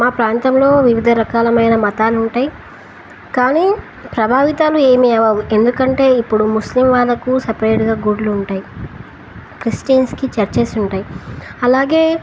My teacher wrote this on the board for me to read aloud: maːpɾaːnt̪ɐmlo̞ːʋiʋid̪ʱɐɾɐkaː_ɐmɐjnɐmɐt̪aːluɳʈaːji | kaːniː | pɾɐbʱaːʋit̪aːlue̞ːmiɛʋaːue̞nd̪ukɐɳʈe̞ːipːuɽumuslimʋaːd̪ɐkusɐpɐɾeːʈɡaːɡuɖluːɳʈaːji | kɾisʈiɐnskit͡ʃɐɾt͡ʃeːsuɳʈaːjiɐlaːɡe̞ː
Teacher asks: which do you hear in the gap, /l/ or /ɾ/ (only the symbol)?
l